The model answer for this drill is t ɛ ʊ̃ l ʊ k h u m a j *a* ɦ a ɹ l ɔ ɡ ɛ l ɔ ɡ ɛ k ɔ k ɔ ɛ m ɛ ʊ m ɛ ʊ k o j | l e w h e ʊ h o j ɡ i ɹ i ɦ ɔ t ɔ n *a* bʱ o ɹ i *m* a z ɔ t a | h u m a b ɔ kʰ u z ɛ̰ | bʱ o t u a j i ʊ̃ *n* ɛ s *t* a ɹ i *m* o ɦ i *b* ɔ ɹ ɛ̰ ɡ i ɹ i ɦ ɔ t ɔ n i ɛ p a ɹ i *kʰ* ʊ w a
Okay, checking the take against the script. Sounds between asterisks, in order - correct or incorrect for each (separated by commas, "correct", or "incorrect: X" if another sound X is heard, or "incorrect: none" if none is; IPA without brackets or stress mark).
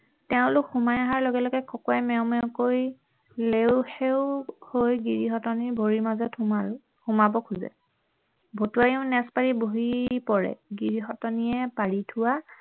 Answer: correct, incorrect: i, correct, correct, incorrect: p, incorrect: b, incorrect: p, incorrect: tʰ